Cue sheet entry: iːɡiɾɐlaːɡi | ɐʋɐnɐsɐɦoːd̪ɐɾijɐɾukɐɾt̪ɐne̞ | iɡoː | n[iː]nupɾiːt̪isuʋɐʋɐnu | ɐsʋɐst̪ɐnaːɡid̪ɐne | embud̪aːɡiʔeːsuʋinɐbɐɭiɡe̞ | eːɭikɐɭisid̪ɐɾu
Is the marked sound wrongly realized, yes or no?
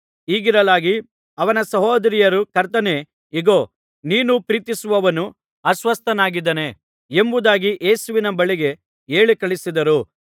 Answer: no